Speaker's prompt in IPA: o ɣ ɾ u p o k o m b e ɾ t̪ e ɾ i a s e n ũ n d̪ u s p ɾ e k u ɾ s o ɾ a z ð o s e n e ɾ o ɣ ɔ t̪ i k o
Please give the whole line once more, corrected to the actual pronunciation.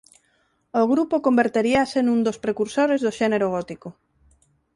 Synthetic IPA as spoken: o ɣ ɾ u p o k o m b e ɾ t̪ e ɾ i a s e n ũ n d̪ o s p ɾ e k u ɾ s o ɾ e z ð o ʃ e n e ɾ o ɣ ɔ t̪ i k o